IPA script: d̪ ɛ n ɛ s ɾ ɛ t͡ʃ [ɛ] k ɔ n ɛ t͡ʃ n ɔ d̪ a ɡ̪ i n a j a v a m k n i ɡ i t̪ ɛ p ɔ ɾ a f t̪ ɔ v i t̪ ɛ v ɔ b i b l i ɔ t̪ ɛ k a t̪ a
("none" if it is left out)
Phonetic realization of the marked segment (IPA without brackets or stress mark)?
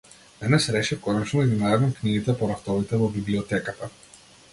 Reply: ɛ